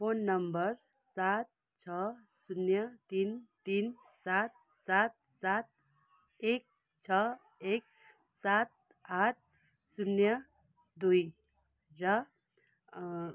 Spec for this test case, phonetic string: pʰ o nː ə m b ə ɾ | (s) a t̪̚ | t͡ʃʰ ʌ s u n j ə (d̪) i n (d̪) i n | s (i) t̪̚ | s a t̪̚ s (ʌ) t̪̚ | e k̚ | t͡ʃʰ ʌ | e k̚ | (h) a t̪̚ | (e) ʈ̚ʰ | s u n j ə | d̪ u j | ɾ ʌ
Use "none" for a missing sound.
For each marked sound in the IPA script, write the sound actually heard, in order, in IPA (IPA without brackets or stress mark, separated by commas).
s, t̪, t̪, a, a, s, a